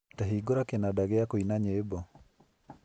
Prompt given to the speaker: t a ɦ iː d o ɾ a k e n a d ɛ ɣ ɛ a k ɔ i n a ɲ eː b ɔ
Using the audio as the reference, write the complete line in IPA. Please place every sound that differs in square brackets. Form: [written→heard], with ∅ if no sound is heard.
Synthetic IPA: t a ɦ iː [d→ɡ] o ɾ a k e n a d [ɛ→a] ɣ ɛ a k [ɔ→o] i n a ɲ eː b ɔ